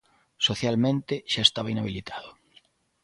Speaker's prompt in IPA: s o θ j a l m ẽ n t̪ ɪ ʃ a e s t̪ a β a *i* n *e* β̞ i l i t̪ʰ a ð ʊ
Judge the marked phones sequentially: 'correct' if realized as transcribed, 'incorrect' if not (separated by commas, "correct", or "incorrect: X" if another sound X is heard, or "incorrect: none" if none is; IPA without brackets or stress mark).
correct, incorrect: a